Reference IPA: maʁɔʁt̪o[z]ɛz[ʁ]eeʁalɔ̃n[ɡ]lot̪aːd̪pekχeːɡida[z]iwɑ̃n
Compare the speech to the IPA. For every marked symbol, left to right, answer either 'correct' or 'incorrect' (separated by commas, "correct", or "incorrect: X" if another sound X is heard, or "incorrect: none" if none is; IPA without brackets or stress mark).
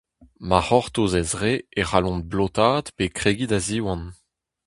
correct, correct, incorrect: b, correct